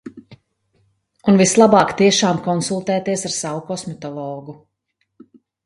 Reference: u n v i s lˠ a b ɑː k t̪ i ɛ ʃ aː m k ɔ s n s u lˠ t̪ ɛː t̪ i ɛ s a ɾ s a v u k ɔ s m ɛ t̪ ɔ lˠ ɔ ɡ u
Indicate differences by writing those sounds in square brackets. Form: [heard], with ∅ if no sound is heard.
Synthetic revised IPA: u n v i s lˠ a b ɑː k t̪ i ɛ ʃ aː m k ɔ [∅] n s u lˠ t̪ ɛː t̪ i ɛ s a ɾ s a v u k ɔ s m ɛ t̪ ɔ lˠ [ɔː] ɡ u

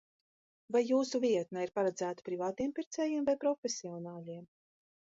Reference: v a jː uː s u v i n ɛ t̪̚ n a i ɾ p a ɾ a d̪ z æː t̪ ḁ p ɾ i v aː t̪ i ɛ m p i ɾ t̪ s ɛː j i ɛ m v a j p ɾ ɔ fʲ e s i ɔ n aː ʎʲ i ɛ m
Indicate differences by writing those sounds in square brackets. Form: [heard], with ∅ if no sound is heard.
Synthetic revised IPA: v a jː uː s u v i [∅] ɛ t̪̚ n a i ɾ p a ɾ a d̪ z æː t̪ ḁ p ɾ i v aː t̪ i ɛ m p i ɾ t̪ s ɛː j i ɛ m v a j p ɾ ɔ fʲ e s i ɔ n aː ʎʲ i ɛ m

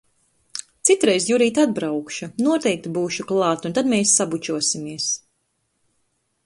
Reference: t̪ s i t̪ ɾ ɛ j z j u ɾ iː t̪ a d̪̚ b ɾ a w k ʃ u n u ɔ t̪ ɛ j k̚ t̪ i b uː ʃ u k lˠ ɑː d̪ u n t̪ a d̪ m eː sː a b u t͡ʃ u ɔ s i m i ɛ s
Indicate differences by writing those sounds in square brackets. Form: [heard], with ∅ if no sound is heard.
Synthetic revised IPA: t̪ s i t̪ ɾ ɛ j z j u ɾ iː t̪ a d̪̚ b ɾ a w k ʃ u n u ɔ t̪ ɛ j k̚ t̪ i b uː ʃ u k lˠ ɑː [t̪] u n t̪ a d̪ m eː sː a b u t͡ʃ u ɔ s i m i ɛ s

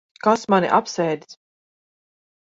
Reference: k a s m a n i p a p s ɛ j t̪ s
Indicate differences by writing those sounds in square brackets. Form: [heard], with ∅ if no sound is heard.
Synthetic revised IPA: k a s m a n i [ʔ] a p s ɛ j [d̪] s

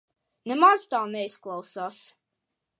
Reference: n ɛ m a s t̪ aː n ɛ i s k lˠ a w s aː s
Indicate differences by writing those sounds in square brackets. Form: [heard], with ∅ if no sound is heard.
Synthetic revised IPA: n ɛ m a [z] t̪ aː n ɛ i s k lˠ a w s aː s

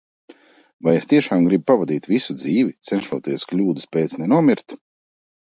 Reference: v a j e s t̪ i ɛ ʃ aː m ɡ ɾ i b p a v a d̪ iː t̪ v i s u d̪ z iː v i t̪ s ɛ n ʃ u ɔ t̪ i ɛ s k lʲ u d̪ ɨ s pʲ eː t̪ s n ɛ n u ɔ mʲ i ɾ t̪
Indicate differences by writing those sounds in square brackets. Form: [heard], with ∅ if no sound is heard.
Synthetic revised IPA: v a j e s t̪ i ɛ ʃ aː m ɡ ɾ i b p a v a d̪ iː t̪ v i s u d̪ z iː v i t̪ s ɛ n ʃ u ɔ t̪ i ɛ s k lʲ [uː] d̪ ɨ s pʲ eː t̪ s n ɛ n u ɔ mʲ i ɾ t̪

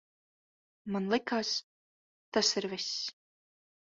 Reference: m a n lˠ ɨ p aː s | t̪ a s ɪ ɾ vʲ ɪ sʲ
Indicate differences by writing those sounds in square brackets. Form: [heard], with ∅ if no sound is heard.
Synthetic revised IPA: m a n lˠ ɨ [k] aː s | t̪ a s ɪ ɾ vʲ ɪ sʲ

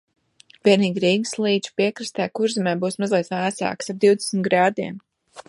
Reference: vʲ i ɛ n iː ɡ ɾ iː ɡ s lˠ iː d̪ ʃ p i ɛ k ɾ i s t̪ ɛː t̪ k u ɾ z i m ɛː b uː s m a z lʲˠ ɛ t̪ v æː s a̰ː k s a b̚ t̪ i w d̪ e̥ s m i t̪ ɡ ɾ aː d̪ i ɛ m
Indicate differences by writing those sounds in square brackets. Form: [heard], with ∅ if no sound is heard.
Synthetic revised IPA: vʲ i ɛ n iː ɡ ɾ iː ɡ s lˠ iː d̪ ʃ p i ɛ k ɾ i s t̪ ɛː [∅] k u ɾ z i m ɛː b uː s m a z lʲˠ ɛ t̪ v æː s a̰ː k s a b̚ [d̪] i w d̪ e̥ s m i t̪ ɡ ɾ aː d̪ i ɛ m

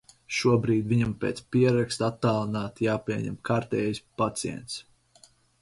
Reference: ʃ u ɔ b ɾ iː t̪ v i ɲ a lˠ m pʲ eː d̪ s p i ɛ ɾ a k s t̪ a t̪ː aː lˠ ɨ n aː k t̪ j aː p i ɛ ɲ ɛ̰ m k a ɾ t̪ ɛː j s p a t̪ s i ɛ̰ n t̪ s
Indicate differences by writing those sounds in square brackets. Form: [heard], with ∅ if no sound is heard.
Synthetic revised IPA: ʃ u ɔ b ɾ iː [d̪] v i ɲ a [∅] m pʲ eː [t̪] s p i ɛ ɾ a k s t̪ a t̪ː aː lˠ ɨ n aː [∅] t̪ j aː p i ɛ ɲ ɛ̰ m k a ɾ t̪ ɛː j s p a t̪ s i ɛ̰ n t̪ s

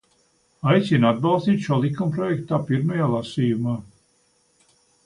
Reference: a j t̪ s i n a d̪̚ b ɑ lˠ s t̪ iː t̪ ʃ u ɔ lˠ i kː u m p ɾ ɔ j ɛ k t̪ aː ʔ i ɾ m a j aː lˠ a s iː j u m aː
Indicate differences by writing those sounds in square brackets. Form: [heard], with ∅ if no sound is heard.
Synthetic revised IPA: a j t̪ s i n a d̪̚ b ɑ lˠ s t̪ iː t̪ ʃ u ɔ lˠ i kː u m p ɾ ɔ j ɛ k t̪ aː [p] i ɾ m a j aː lˠ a s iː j u m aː

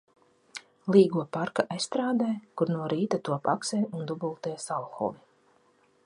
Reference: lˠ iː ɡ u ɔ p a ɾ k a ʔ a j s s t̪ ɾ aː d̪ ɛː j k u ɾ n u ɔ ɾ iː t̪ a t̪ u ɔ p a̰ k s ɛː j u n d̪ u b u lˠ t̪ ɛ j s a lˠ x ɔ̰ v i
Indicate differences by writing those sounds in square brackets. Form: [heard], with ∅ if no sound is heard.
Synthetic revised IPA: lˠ iː ɡ u ɔ p a ɾ k a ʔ a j s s t̪ ɾ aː d̪ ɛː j k u ɾ n u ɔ ɾ iː t̪ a t̪ u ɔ p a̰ k s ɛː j u n d̪ u b u lˠ t̪ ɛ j s a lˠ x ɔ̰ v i

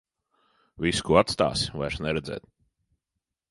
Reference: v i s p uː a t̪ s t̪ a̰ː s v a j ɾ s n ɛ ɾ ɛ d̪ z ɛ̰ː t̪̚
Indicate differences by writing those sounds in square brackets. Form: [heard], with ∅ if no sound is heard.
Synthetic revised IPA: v i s [k] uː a t̪ s t̪ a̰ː s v a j ɾ s n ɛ ɾ ɛ d̪ z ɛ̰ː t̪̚

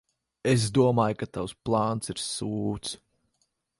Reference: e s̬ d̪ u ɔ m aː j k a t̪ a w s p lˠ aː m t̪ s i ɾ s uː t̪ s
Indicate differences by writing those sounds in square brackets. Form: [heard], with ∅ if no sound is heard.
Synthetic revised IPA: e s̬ d̪ u ɔ m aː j k a t̪ a w s p lˠ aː [n] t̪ s i ɾ s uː t̪ s

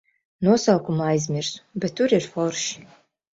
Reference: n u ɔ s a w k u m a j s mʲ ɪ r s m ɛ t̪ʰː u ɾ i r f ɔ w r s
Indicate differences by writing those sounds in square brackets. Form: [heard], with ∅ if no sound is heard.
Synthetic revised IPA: n u ɔ s a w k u m a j [z] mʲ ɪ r s [b] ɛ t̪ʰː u ɾ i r f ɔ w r [ʃ]

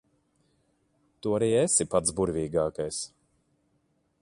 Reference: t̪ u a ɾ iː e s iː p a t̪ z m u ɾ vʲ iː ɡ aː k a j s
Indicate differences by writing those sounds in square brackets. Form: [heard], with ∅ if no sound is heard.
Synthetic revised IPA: t̪ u a ɾ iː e s [i] p a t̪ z [b] u ɾ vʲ iː ɡ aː k a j s

